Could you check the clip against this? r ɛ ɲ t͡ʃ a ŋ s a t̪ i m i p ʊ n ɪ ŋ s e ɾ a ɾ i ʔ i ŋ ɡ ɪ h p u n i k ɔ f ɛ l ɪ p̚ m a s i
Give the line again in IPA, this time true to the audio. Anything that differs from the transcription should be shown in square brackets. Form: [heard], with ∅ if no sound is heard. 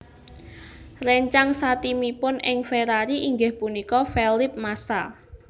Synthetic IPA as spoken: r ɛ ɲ t͡ʃ a ŋ s a t̪ i m i p ʊ n ɪ ŋ [f] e ɾ a ɾ i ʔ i ŋ ɡ ɪ h p u n i k ɔ f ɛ l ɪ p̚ m a s [a]